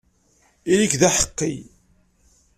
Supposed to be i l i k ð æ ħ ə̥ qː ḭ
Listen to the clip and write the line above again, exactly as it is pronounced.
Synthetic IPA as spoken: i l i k ð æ ħ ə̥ qː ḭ